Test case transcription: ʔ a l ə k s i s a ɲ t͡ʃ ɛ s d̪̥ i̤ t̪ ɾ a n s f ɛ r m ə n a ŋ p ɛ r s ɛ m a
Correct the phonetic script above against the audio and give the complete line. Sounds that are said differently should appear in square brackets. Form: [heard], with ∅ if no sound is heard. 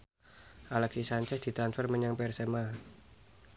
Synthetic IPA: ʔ a l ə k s i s a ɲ t͡ʃ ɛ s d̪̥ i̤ t̪ ɾ a n s f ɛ r m ə [ɲ] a ŋ p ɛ r s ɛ m a